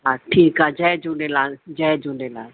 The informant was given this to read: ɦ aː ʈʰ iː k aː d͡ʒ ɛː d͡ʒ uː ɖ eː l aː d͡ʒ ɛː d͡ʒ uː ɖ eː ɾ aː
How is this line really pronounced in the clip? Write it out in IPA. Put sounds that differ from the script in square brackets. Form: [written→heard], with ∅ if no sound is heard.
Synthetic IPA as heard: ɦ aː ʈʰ iː k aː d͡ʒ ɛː d͡ʒ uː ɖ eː l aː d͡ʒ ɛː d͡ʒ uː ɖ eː [ɾ→l] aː

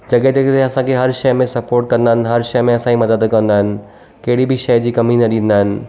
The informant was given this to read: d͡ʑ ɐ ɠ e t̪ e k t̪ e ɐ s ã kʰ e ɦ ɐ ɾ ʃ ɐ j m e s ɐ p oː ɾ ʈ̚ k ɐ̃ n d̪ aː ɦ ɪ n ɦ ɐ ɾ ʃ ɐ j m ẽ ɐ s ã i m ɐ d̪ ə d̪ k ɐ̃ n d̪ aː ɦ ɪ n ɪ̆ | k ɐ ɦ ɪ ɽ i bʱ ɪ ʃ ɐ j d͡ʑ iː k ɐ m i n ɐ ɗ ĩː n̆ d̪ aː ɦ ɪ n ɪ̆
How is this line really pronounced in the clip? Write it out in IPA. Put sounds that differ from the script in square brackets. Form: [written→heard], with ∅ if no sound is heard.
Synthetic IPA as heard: d͡ʑ ɐ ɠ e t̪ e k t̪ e ɐ s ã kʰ e ɦ ɐ ɾ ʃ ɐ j m [e→ẽ] s ɐ p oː ɾ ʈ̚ k ɐ̃ n d̪ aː ɦ ɪ n ɦ ɐ ɾ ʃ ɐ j m ẽ ɐ s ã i m ɐ d̪ ə d̪ k ɐ̃ n d̪ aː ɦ ɪ n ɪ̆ | k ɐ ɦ ɪ ɽ i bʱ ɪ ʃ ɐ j d͡ʑ iː k ɐ m i n ɐ ɗ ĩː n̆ d̪ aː ɦ ɪ n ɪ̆

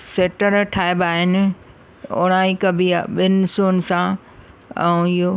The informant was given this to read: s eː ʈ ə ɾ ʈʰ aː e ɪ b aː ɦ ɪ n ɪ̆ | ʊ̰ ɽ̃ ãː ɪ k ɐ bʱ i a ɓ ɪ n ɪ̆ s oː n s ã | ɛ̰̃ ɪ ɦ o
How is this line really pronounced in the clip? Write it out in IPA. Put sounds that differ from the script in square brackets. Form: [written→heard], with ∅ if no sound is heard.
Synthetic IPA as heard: s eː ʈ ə ɾ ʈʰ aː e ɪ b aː ɦ ɪ n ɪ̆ | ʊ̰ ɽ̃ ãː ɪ k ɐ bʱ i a ɓ ɪ n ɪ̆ s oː n s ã | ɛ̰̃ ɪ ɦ o

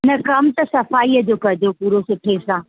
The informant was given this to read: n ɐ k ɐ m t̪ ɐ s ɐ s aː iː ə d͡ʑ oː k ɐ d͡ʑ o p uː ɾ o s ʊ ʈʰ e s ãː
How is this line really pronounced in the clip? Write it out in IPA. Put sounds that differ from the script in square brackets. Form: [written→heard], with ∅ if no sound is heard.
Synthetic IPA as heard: n ɐ k ɐ m t̪ ɐ s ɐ [s→f] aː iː ə d͡ʑ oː k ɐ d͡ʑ o p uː ɾ o s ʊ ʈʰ e s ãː

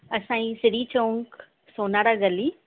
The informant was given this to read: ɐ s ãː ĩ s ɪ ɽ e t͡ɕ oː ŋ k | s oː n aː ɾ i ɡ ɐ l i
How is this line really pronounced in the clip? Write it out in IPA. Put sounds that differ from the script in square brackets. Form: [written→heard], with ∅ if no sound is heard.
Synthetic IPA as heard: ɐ s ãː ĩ s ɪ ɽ [e→i] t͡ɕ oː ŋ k | s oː n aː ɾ [i→a] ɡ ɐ l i

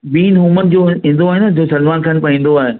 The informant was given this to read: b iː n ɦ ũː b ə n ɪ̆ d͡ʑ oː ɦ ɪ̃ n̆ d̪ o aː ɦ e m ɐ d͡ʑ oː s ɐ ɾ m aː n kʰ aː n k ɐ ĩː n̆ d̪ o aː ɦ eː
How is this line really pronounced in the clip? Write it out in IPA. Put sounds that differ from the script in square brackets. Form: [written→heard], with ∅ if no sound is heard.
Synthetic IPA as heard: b iː n ɦ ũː [b→m] ə n ɪ̆ d͡ʑ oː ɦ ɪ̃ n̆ d̪ o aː ɦ e [m→n] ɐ d͡ʑ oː s ɐ [ɾ→l] m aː n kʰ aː n [k→p] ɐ ĩː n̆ d̪ o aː ɦ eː

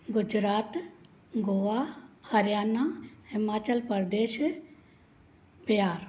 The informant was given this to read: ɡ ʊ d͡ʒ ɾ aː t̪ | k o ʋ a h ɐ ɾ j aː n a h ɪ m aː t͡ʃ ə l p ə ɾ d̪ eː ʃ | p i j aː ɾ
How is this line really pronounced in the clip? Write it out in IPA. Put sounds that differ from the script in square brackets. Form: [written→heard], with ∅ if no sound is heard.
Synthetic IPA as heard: ɡ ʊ d͡ʒ ɾ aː t̪ | [k→ɡ] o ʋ a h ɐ ɾ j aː n a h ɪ m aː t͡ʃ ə l p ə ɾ d̪ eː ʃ | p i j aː ɾ

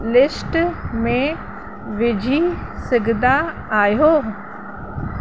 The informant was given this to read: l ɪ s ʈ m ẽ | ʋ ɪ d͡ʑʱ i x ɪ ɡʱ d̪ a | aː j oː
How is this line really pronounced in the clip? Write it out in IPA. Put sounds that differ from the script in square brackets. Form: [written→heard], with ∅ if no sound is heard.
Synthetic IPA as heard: l ɪ s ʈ m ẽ | ʋ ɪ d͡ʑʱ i [x→s] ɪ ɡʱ d̪ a | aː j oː

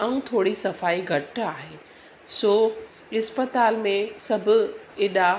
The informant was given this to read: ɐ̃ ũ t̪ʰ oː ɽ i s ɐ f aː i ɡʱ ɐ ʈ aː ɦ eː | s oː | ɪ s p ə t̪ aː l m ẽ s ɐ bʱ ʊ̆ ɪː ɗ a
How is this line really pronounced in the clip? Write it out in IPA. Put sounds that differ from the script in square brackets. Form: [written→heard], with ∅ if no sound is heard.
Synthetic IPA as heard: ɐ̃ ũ t̪ʰ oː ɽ i s ɐ f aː i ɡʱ ɐ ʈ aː ɦ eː | s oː | ɪ s p ə t̪ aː l m ẽ s ɐ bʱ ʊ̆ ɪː ɗ a

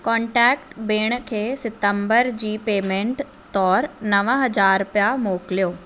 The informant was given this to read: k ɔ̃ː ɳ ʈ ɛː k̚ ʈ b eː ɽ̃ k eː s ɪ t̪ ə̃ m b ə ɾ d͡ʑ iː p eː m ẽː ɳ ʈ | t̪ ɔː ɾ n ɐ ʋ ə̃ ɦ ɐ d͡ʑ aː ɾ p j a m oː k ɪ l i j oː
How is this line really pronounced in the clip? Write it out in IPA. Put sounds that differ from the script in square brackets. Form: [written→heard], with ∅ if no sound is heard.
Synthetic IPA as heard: k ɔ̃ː ɳ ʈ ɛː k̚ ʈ b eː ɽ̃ [k→kʰ] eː s ɪ t̪ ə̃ m b ə ɾ d͡ʑ iː p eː m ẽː ɳ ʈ | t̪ ɔː ɾ n ɐ ʋ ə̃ ɦ ɐ d͡ʑ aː ɾ p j a m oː k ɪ l i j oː

